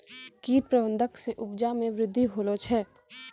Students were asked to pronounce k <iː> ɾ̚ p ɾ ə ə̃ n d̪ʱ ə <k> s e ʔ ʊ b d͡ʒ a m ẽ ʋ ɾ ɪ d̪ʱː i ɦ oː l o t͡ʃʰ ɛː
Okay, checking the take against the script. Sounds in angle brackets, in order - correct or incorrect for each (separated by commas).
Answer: correct, correct